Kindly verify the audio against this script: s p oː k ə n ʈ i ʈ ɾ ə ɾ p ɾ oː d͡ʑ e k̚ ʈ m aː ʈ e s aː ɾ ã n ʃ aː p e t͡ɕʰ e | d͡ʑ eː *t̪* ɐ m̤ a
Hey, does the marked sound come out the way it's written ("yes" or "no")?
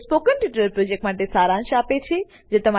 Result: yes